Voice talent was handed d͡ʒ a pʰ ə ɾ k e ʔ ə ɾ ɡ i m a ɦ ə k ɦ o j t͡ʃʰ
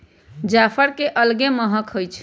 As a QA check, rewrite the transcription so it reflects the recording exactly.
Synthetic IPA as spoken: d͡ʒ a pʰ ə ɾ k e ʔ ə l ɡ e m ə ɦ ə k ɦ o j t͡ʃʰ